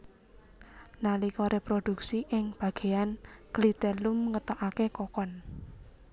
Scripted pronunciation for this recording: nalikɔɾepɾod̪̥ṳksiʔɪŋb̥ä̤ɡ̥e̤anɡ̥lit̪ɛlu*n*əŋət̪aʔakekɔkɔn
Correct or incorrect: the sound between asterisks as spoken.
incorrect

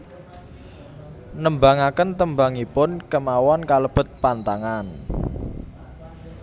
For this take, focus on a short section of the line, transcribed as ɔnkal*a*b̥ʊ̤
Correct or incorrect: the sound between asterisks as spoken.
incorrect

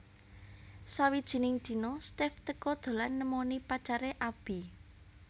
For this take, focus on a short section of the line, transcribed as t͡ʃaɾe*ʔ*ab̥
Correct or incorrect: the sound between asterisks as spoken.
correct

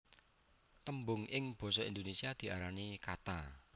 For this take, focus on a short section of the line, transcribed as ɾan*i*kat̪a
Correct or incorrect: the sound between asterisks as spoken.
correct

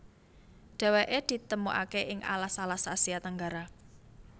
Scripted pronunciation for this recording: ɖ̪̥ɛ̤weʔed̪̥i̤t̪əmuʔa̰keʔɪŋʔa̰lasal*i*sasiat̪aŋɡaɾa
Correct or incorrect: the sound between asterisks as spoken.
incorrect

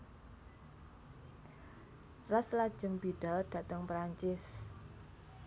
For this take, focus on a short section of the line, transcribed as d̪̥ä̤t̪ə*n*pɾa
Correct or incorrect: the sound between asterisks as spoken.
incorrect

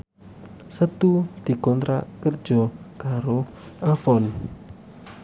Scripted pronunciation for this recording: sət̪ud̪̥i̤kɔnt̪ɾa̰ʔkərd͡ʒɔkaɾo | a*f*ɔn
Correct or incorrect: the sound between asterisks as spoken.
correct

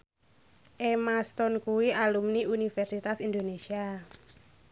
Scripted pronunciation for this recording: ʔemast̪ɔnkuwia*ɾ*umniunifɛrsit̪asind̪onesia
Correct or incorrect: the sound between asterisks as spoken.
incorrect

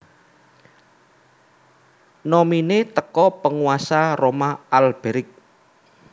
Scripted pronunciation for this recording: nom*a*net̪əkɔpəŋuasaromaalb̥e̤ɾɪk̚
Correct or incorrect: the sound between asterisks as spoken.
incorrect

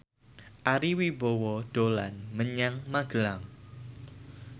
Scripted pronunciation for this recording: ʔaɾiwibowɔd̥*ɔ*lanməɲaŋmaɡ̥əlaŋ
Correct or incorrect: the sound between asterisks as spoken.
incorrect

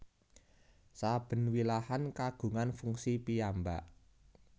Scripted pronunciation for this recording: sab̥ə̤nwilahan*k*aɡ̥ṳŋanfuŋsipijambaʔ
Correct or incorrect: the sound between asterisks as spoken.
correct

